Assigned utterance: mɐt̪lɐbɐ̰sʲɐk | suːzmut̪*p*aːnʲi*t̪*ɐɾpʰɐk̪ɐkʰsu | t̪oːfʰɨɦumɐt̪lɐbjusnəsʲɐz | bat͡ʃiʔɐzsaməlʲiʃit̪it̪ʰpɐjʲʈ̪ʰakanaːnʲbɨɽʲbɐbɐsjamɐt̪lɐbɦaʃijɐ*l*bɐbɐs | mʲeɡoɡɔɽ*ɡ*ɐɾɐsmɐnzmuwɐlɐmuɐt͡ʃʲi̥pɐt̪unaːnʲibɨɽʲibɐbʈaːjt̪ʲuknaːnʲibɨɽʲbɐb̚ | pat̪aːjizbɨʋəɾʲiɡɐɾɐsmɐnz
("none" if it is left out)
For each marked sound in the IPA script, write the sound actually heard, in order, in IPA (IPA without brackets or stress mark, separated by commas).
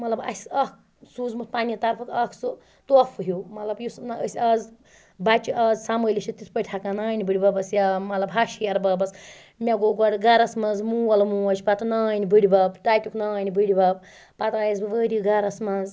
p, t̪, ɾ, ɡ